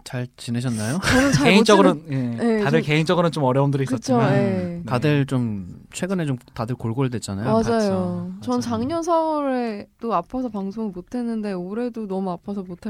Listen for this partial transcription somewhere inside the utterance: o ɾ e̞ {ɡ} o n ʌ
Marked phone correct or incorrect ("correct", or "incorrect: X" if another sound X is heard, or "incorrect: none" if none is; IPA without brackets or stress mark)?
incorrect: d